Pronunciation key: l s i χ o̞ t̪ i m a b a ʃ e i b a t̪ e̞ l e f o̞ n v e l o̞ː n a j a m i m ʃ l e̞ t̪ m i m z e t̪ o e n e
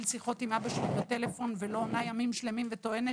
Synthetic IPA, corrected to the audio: l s i χ o̞ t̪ i m a b a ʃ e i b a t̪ e̞ l e f o̞ n v e l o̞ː n a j a m i m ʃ l e̞ m i m v e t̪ o e n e